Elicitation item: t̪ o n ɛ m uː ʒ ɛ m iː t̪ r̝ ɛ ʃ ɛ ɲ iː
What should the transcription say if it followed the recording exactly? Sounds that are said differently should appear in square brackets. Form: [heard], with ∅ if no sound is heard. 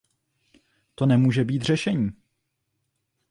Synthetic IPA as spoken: t̪ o n ɛ m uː ʒ ɛ [b] iː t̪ r̝ ɛ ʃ ɛ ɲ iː